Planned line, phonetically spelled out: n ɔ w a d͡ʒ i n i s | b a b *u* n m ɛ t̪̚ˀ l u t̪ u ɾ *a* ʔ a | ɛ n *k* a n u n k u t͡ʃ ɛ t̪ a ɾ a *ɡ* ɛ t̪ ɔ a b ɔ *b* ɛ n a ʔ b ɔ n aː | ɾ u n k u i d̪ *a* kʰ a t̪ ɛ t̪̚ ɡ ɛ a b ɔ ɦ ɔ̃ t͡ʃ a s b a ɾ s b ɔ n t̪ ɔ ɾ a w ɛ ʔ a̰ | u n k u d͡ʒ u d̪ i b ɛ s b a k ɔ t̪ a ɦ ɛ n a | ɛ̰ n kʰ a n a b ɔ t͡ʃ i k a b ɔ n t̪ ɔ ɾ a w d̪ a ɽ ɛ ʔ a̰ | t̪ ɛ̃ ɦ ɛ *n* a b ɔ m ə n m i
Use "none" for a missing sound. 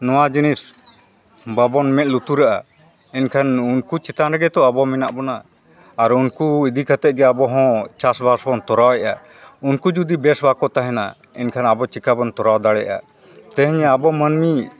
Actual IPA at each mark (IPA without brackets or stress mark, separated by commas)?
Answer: ɔ, a, kʰ, ɡ, m, i, ɲ